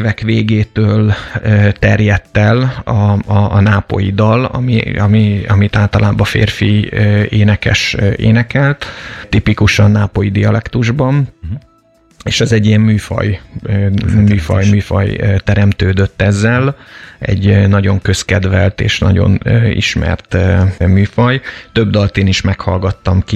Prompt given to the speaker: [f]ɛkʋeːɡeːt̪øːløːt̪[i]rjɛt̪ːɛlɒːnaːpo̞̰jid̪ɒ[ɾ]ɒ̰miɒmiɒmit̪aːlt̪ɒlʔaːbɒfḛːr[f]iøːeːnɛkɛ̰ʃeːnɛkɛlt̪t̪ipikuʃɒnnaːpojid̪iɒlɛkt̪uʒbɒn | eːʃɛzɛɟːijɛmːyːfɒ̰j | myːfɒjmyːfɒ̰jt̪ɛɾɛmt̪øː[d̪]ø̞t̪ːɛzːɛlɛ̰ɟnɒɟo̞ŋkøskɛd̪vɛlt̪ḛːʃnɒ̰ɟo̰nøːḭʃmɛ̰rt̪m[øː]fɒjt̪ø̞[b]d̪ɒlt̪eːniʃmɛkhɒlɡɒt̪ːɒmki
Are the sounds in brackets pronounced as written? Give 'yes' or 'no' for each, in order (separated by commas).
no, no, no, yes, yes, no, yes